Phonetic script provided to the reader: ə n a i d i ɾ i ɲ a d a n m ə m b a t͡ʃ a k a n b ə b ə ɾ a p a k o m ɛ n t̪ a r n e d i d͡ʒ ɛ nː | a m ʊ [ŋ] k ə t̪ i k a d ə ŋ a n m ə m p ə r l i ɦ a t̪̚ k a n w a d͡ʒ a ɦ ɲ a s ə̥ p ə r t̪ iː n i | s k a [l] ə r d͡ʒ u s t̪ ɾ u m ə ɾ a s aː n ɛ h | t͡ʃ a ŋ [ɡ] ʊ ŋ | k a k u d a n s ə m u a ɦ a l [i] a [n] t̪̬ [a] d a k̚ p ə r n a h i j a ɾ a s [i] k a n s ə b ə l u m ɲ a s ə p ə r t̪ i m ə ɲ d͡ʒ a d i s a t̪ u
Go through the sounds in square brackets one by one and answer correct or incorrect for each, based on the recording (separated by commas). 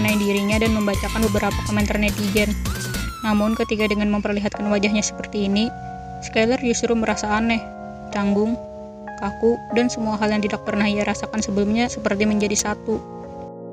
incorrect, correct, correct, incorrect, incorrect, incorrect, incorrect